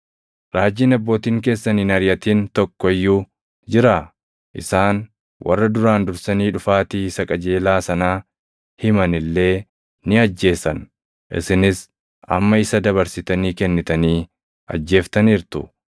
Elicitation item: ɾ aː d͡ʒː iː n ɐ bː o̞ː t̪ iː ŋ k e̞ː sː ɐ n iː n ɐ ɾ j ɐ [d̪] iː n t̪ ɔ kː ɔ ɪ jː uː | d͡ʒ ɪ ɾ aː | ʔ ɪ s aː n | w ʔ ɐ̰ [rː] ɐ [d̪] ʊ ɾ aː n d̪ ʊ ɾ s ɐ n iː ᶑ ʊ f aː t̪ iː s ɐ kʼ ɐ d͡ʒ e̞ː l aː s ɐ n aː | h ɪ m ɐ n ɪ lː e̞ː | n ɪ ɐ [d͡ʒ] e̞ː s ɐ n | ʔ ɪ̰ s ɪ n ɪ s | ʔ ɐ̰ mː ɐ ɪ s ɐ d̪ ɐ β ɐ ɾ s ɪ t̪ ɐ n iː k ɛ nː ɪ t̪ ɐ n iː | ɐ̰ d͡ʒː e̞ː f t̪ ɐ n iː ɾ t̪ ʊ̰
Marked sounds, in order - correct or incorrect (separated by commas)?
incorrect, correct, correct, incorrect